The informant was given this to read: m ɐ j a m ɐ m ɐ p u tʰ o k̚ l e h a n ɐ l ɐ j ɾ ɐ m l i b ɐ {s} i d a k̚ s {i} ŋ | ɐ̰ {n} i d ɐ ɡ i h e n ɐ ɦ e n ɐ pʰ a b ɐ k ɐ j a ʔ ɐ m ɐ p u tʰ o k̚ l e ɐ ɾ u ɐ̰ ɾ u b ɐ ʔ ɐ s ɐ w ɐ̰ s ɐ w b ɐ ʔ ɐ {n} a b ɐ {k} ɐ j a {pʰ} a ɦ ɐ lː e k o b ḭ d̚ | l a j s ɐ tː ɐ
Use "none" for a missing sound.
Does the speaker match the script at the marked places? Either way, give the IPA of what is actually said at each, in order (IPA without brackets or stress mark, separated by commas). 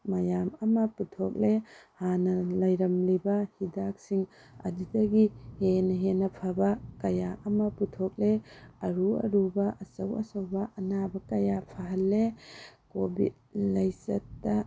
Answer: h, i, d, n, k, pʰ